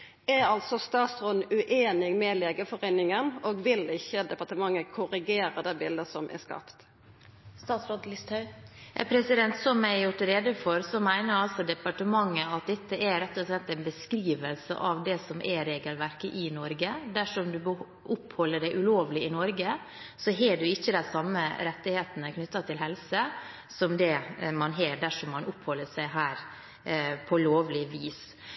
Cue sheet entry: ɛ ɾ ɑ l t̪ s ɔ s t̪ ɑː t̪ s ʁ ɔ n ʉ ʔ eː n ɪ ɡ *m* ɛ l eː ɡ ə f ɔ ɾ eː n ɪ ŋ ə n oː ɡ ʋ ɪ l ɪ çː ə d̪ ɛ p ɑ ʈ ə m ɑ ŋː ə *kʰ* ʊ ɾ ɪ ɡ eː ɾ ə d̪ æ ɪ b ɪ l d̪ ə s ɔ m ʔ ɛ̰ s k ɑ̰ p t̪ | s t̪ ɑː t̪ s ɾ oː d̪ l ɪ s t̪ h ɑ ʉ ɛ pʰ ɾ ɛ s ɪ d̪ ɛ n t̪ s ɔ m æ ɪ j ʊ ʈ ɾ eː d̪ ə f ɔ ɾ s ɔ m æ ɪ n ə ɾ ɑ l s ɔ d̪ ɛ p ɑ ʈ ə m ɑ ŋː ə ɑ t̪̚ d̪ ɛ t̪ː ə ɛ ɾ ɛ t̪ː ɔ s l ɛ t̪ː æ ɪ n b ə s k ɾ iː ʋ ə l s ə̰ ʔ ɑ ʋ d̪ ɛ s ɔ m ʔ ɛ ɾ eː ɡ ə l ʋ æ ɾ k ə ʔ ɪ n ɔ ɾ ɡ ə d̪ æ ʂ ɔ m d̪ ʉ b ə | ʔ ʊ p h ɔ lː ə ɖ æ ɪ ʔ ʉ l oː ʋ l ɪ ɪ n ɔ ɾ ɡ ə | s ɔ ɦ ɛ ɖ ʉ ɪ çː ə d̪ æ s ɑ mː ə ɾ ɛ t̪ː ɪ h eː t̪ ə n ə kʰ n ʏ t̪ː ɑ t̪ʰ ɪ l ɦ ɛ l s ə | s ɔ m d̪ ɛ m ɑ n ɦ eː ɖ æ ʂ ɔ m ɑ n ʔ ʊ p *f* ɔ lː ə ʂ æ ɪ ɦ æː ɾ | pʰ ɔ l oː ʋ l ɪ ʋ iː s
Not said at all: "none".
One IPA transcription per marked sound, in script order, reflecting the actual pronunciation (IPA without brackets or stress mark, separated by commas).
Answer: m, kʰ, h